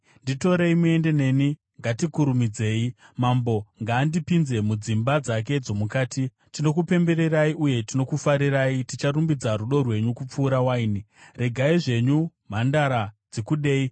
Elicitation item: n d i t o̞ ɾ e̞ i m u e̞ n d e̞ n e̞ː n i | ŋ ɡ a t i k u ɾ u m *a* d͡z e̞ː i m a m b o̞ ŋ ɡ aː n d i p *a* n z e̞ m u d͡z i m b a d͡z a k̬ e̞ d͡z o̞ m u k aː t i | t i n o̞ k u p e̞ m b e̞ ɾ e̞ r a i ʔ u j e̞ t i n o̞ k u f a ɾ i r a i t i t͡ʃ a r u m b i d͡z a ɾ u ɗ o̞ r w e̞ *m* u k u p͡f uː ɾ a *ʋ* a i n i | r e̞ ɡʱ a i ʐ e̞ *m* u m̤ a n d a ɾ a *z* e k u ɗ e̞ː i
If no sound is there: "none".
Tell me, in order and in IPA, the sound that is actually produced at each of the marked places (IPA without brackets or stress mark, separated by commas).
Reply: i, i, ɲ, w, ɲ, d͡z